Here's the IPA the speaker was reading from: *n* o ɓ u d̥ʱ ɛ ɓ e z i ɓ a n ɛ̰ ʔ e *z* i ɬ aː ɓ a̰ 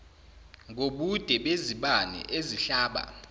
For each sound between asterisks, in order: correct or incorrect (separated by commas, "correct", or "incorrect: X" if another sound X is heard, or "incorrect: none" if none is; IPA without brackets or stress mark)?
incorrect: ŋ, correct